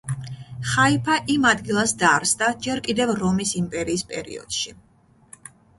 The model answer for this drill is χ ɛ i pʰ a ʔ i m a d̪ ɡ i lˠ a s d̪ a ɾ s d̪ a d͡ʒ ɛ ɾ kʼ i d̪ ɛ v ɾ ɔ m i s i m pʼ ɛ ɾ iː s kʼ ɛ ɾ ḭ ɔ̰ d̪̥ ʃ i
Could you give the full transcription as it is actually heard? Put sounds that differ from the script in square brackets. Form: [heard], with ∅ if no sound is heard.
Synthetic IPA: χ [a] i pʰ a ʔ i m a d̪ ɡ i lˠ a s d̪ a ɾ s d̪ a d͡ʒ ɛ ɾ kʼ i d̪ ɛ v ɾ ɔ m i s i m pʼ ɛ ɾ iː s [pʼ] ɛ ɾ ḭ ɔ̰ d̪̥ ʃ i